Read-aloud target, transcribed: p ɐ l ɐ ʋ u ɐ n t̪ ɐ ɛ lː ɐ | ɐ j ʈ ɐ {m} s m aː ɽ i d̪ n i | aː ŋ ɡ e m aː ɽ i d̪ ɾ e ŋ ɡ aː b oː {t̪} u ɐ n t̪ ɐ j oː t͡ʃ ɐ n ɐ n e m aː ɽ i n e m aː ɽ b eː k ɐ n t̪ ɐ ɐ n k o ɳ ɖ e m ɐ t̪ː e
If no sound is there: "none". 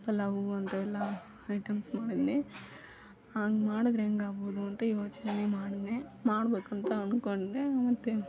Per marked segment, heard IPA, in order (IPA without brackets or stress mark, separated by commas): m, d̪